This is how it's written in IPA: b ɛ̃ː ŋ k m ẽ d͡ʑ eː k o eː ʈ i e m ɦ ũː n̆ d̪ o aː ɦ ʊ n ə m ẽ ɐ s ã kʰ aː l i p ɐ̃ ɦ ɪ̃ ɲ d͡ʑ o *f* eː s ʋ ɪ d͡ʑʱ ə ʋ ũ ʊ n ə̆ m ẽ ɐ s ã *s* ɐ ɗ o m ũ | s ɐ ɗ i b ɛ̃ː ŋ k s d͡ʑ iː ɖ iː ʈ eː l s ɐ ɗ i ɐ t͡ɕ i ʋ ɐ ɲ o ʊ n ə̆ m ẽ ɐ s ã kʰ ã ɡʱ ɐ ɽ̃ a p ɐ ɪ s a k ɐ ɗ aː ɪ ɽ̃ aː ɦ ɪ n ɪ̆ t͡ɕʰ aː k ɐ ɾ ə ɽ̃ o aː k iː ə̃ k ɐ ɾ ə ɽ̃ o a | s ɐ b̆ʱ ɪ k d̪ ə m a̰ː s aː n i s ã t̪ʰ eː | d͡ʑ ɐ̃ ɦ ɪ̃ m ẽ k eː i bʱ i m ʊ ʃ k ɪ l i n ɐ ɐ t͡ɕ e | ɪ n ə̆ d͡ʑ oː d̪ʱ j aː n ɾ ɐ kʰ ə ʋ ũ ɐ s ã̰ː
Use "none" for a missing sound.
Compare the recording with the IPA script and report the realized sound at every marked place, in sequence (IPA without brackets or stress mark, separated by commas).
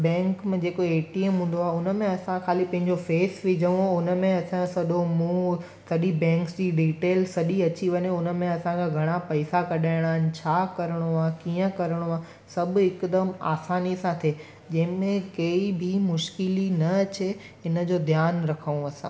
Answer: f, s